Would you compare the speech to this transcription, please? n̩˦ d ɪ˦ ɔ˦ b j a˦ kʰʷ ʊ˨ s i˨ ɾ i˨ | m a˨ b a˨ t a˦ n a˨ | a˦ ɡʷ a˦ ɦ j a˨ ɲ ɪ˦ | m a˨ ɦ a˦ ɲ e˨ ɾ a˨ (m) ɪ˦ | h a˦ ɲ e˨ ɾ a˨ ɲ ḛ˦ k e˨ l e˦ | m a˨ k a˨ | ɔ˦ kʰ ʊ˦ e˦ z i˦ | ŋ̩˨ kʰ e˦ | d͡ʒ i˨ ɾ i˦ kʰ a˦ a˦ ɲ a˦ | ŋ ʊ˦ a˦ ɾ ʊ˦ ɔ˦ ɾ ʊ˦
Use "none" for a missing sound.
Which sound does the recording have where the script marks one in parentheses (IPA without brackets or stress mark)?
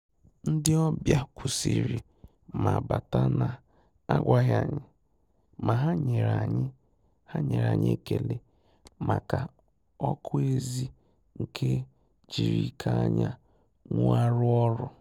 ɲ